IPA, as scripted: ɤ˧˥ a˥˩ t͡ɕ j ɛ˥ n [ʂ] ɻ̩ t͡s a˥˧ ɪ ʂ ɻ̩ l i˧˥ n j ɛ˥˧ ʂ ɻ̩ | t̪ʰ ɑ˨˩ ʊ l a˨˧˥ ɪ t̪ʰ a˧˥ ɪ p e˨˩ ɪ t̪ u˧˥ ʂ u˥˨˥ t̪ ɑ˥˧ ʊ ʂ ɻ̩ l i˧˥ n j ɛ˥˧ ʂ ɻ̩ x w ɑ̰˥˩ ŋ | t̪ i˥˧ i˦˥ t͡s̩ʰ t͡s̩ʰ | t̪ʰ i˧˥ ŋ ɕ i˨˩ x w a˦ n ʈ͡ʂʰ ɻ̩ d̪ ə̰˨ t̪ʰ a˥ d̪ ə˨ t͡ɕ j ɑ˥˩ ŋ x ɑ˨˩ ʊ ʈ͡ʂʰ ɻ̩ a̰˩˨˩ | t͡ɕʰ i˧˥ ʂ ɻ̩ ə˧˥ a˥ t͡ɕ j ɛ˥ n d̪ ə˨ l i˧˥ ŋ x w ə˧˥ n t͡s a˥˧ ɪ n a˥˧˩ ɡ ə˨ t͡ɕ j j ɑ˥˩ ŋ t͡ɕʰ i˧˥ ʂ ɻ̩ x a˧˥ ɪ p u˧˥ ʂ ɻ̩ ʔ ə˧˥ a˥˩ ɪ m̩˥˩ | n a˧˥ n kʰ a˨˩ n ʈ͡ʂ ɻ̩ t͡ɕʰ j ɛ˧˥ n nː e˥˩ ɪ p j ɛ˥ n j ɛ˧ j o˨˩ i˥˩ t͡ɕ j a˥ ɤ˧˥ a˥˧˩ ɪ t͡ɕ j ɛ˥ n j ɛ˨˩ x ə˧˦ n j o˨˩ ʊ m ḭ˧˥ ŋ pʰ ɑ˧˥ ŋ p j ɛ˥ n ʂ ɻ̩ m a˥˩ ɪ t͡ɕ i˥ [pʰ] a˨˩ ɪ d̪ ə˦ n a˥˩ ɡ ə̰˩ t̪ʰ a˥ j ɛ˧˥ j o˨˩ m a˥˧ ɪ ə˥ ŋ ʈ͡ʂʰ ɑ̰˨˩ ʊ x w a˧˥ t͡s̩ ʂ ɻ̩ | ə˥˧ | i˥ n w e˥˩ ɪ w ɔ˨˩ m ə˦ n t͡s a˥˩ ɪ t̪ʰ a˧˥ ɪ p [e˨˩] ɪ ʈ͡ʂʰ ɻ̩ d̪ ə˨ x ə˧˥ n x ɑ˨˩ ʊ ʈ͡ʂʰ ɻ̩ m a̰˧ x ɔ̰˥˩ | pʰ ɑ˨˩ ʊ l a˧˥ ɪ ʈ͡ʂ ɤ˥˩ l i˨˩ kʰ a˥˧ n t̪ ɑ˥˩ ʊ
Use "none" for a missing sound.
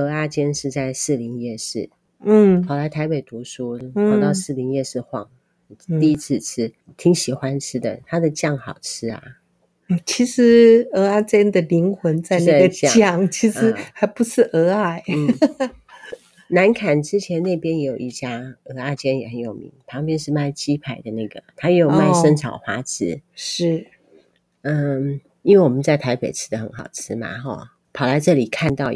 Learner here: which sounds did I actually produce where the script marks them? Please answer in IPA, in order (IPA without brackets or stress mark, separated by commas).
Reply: ʂ, pʰ, e˨˩